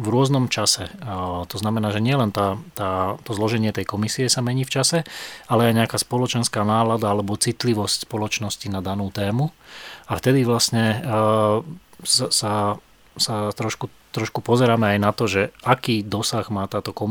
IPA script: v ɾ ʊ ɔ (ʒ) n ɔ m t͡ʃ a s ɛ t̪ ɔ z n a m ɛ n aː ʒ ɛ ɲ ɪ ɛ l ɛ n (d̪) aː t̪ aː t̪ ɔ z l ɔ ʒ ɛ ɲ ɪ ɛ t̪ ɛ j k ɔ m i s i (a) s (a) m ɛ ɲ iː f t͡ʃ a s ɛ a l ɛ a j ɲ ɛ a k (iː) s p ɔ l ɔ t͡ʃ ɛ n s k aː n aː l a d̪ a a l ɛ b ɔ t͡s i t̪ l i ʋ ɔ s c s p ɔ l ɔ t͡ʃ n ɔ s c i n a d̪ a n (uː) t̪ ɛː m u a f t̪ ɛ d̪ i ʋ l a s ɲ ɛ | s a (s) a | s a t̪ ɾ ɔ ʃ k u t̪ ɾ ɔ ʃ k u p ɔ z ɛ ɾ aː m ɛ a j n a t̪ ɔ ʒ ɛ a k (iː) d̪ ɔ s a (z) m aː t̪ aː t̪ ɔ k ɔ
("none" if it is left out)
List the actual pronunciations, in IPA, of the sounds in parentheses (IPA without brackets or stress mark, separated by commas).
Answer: z, t̪, ɛ, a, aː, uː, s, iː, ɣ